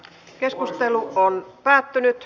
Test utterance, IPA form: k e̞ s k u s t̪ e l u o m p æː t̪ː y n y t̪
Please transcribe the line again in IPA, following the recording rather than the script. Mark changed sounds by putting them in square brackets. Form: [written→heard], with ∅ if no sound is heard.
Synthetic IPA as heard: k e̞ s k u s t̪ e l u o [m→n] p æː t̪ː y n y t̪